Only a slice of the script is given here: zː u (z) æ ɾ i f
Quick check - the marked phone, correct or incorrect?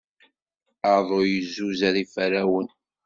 correct